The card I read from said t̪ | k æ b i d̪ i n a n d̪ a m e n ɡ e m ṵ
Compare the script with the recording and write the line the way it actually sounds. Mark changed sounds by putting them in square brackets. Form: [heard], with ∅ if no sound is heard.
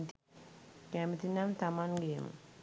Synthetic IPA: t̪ | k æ [m] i [t̪] i n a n [t̪] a m [a] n ɡ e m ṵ